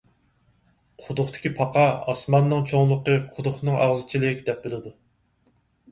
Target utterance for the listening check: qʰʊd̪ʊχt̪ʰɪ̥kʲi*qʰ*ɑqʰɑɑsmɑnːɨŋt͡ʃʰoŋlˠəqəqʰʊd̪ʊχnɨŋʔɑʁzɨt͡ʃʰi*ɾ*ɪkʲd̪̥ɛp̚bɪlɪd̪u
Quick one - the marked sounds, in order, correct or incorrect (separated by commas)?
incorrect, incorrect